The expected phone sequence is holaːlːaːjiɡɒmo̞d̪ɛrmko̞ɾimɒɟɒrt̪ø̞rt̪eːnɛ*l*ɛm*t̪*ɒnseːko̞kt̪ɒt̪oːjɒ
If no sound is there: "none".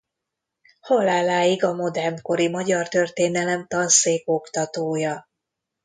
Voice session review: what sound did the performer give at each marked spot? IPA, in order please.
l, t̪

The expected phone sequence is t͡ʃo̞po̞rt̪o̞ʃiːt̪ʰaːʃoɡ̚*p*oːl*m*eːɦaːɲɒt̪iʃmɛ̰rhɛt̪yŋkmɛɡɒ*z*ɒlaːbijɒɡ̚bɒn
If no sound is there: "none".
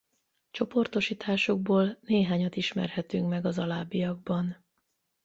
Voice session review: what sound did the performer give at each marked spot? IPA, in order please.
b, n, z

